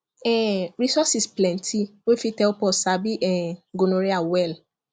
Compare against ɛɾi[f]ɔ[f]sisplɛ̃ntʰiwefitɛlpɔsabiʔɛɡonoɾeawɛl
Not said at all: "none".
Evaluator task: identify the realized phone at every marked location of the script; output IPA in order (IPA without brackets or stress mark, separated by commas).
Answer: s, none